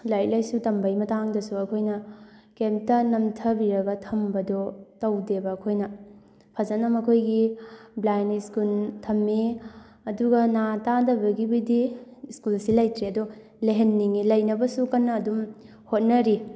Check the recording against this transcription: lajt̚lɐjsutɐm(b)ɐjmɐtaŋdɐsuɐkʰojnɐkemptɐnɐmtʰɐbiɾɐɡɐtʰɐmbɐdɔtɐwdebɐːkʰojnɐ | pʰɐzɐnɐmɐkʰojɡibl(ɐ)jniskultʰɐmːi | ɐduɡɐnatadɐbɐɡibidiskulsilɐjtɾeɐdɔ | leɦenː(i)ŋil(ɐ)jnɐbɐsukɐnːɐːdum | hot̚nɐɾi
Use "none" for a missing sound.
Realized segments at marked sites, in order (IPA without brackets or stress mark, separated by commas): b, a, i, ɐ